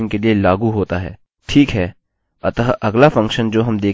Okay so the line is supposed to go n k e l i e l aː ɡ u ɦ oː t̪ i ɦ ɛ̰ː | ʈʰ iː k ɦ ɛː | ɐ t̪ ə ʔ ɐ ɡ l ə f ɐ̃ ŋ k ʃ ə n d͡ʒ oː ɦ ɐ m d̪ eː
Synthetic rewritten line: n k e l i e l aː ɡ u ɦ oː t̪ a ɦ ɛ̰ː | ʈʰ iː k ɦ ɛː | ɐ t̪ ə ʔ ɐ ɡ l a f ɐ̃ ŋ k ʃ ə n d͡ʒ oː ɦ ɐ m d̪ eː

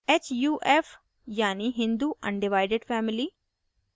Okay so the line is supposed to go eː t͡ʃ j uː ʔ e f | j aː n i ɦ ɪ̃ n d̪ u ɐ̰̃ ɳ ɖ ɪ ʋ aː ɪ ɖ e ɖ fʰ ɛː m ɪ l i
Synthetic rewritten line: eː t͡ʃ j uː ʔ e f | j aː n i ɦ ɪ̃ n d̪ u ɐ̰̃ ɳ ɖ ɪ ʋ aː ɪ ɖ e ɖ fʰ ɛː m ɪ l i

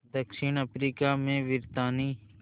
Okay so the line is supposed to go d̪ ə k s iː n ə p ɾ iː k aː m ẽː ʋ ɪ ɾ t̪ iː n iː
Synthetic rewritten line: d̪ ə k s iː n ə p ɾ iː k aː m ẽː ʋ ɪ ɾ t̪ aː n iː

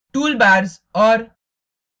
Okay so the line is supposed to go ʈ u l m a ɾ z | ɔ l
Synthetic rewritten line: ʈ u l b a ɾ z | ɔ ɾ

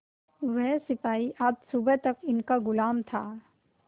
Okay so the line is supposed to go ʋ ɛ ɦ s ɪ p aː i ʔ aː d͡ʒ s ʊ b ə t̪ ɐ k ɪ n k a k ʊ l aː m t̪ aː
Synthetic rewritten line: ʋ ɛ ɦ s ɪ p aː i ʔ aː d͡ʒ s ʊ b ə t̪ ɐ k ɪ n k a ɡ ʊ l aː m t̪ʰ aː

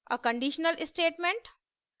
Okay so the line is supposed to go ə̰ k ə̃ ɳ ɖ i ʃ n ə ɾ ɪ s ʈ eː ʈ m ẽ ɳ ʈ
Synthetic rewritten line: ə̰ k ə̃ ɳ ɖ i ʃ n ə l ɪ s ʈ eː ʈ m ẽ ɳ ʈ

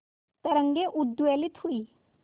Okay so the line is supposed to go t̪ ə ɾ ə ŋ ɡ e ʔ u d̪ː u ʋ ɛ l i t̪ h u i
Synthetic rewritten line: t̪ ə ɾ ə ŋ ɡ e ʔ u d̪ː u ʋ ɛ l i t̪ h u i

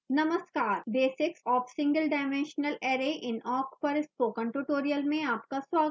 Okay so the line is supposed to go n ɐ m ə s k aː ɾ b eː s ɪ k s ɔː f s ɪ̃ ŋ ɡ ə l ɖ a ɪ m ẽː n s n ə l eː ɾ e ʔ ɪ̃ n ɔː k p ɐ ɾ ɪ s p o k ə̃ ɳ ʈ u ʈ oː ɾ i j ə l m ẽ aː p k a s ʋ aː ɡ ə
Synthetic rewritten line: n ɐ m ə s k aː ɾ b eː s ɪ k s ɔː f s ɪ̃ ŋ ɡ ə l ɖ a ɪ m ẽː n ʃ n ə l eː ɾ e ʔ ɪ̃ n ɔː k p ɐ ɾ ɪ s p o k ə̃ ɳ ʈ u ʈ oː ɾ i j ə l m ẽ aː p k a s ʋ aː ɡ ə

